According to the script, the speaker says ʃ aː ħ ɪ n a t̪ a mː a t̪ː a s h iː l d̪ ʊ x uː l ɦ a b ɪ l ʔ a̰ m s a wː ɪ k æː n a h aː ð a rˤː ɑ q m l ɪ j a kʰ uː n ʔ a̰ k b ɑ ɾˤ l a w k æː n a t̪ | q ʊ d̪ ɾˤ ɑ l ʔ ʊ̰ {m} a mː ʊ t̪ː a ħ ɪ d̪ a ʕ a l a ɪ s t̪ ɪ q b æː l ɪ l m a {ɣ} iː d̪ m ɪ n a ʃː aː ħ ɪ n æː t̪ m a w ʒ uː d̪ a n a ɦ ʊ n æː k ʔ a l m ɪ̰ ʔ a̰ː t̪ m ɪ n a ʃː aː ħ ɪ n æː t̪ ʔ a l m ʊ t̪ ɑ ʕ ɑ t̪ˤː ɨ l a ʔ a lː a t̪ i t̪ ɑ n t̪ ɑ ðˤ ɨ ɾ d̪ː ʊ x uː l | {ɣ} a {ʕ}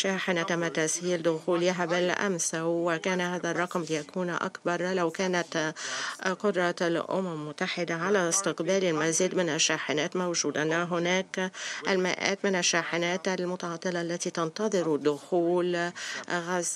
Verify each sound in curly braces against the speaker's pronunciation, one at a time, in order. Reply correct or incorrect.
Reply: correct, incorrect, correct, incorrect

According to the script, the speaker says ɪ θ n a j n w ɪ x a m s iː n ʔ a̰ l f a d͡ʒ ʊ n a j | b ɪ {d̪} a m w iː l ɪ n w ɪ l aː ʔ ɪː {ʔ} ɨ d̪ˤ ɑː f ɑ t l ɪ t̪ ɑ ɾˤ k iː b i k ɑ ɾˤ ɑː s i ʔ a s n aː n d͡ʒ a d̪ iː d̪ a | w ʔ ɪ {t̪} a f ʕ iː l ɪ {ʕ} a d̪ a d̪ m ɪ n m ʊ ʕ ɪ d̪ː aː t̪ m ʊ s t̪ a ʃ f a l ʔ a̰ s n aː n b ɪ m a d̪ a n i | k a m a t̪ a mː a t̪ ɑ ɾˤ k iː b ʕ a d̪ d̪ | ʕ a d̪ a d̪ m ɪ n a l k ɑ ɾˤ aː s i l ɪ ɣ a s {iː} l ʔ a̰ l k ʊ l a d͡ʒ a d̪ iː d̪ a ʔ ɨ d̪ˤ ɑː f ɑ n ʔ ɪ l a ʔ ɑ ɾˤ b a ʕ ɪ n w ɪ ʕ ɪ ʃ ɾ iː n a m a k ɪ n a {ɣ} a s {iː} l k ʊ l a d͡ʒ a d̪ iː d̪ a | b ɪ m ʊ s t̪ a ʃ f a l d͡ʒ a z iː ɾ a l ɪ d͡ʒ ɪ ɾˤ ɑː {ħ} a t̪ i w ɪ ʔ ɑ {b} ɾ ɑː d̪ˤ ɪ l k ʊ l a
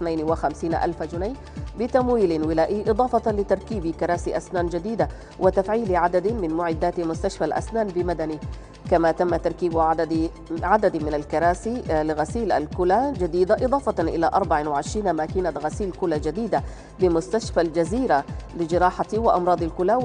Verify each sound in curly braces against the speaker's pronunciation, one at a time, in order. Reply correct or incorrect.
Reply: incorrect, correct, correct, correct, correct, correct, correct, correct, incorrect

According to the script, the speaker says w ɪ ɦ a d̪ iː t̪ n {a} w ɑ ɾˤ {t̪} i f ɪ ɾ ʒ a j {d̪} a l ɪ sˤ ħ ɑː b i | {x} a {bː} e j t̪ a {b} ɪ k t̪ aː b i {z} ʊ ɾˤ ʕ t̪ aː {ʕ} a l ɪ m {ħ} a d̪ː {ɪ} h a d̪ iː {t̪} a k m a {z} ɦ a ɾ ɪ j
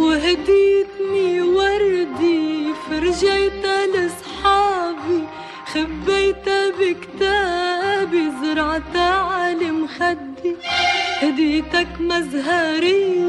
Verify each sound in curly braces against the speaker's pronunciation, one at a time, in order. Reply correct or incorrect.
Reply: incorrect, incorrect, incorrect, correct, correct, correct, correct, correct, incorrect, incorrect, correct, correct

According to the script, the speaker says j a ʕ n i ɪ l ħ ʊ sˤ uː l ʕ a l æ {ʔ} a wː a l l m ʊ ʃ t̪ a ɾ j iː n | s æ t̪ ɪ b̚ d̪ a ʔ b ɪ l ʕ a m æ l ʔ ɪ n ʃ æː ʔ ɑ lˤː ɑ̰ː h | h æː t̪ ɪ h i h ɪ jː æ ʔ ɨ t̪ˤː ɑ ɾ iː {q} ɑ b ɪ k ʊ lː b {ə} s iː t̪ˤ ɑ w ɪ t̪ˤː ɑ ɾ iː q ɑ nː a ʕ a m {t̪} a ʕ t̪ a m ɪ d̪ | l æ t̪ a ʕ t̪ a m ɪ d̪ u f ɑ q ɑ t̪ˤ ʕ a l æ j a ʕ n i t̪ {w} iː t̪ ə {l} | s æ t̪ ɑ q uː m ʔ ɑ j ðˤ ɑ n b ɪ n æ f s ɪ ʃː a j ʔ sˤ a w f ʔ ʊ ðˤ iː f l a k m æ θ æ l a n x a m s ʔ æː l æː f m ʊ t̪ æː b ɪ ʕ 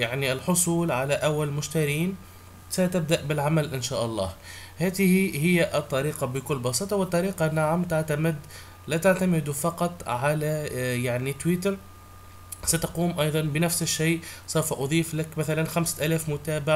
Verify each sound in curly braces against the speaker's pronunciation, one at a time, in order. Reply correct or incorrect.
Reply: correct, correct, incorrect, correct, correct, incorrect

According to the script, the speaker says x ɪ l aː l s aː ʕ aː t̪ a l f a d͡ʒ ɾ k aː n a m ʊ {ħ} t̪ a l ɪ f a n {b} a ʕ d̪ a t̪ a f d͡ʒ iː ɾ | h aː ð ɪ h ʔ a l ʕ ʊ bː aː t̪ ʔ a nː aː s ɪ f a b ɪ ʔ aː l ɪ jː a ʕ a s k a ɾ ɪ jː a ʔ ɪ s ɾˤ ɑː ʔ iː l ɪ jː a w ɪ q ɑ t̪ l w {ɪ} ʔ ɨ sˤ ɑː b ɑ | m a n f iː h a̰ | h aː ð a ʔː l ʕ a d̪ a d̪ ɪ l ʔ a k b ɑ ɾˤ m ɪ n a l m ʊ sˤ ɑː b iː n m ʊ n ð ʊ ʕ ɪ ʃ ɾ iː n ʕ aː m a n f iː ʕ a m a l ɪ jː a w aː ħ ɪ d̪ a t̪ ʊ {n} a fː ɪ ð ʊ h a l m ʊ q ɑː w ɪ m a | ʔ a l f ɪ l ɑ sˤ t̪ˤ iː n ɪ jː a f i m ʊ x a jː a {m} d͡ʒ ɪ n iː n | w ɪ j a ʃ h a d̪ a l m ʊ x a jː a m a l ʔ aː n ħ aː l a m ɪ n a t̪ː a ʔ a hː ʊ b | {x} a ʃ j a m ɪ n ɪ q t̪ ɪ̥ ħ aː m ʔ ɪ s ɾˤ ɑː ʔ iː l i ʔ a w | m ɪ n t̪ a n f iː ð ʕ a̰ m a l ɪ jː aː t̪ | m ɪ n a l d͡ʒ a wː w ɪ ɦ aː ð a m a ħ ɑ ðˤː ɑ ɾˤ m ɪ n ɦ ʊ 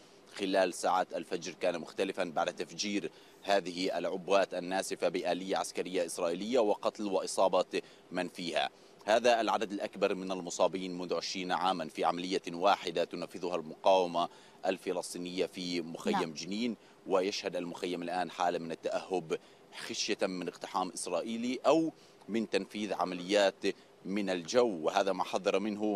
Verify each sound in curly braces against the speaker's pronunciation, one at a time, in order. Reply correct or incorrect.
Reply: incorrect, correct, correct, correct, correct, correct

